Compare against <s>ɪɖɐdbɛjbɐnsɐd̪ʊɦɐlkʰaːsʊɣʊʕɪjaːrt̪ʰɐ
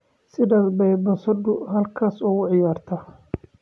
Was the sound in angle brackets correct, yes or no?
yes